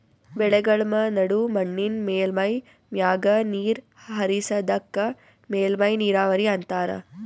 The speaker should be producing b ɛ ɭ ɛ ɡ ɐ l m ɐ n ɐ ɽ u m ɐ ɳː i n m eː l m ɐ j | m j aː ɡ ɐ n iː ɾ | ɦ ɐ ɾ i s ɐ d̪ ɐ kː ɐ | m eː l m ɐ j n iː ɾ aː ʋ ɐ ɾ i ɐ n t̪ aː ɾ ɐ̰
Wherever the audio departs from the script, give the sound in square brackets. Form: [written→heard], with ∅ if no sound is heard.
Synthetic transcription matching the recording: b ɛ ɭ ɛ ɡ ɐ [l→ɭ] m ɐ n ɐ ɽ u m ɐ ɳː i n m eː l m ɐ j | m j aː ɡ ɐ n iː ɾ | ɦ ɐ ɾ i s ɐ d̪ ɐ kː ɐ | m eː l m ɐ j n iː ɾ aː ʋ ɐ ɾ i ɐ n t̪ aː ɾ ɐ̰